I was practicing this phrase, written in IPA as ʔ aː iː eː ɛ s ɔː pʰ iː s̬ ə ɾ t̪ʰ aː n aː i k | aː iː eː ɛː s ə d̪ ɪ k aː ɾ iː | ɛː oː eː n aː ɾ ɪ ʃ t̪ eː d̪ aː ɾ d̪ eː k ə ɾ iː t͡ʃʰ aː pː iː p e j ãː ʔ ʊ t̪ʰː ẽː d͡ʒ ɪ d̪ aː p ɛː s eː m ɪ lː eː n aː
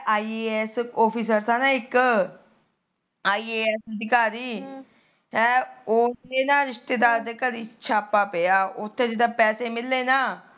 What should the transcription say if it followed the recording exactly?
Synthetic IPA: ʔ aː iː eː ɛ s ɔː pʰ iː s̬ ə ɾ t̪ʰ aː n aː ɪ k | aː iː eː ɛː s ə d̪ ɪ k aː ɾ iː | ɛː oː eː n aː ɾ ɪ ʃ t̪ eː d̪ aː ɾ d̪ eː k ə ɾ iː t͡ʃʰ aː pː aː p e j aː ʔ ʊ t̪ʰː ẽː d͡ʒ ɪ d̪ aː p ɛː s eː m ɪ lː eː n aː

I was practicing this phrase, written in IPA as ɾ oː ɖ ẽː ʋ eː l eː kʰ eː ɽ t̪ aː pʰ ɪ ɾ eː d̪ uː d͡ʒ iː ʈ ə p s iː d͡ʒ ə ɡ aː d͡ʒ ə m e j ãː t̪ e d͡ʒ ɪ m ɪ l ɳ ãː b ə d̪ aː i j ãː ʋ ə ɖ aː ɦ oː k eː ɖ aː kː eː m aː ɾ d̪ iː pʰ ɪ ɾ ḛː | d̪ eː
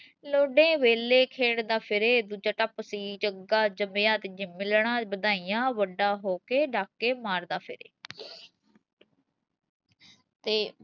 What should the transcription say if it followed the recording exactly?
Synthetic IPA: l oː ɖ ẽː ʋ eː l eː kʰ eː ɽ d̪ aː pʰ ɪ ɾ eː d̪ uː d͡ʒ aː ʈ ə p s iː d͡ʒ ə ɡ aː d͡ʒ ə m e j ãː t̪ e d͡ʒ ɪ m ɪ l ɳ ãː b ə d̪ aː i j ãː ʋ ə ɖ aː ɦ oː k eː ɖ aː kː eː m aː ɾ d̪ aː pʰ ɪ ɾ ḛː | t̪ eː

